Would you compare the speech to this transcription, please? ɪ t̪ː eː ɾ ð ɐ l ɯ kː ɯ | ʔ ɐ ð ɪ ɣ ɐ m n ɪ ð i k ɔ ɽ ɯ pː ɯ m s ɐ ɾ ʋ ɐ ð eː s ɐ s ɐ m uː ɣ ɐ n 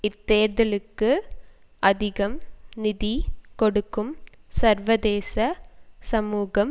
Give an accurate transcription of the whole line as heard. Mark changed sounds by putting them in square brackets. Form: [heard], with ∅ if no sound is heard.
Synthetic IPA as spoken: ɪ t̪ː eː ɾ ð ɐ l ɯ kː ɯ | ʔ ɐ ð ɪ ɣ ɐ m n ɪ ð i k ɔ ɽ ɯ [kː] ɯ m s ɐ ɾ ʋ ɐ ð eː s ɐ s ɐ m uː ɣ ɐ [m]